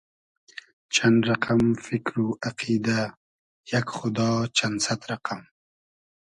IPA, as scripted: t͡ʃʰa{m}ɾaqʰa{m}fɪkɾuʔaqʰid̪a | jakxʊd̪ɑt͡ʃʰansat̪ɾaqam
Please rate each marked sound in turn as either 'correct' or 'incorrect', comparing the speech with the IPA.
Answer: incorrect, correct

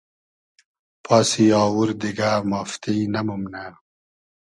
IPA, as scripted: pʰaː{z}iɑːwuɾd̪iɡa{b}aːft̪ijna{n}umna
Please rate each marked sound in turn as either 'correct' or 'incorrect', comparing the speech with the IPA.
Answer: incorrect, incorrect, incorrect

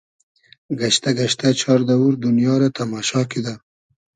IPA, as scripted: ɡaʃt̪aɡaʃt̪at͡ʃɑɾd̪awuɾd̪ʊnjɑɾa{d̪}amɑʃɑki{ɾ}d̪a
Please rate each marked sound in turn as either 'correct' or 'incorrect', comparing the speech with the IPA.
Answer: incorrect, incorrect

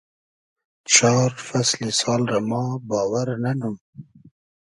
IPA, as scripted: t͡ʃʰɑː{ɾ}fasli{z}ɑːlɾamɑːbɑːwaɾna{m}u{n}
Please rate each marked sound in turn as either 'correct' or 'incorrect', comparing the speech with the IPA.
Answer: correct, incorrect, incorrect, incorrect

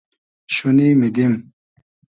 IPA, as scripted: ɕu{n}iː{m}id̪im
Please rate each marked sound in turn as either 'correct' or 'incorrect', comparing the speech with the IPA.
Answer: correct, correct

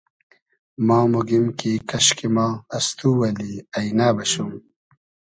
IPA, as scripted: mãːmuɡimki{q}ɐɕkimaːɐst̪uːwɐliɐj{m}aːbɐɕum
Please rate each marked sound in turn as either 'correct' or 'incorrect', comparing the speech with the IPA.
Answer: incorrect, incorrect

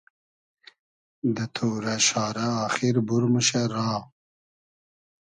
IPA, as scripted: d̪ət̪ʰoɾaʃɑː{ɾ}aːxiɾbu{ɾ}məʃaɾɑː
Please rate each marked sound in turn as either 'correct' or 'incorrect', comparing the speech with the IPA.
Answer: correct, correct

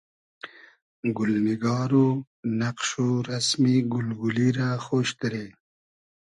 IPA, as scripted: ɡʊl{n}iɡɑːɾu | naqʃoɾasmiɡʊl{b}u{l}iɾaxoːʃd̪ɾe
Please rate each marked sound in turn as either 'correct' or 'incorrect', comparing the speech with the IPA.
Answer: correct, incorrect, correct

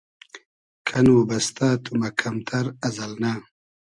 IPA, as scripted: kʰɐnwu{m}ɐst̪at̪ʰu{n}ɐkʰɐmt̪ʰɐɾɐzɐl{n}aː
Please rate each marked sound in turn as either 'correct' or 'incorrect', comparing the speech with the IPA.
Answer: incorrect, incorrect, correct

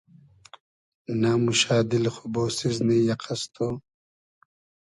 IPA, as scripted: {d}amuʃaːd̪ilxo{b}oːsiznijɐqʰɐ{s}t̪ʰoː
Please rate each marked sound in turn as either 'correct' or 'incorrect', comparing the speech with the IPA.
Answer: incorrect, correct, correct

